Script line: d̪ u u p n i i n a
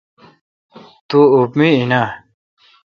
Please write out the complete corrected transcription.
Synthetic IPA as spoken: t̪ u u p m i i n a